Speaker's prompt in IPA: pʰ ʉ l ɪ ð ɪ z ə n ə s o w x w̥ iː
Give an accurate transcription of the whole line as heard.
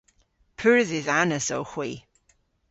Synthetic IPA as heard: pʰ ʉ ɹ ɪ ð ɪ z a n ə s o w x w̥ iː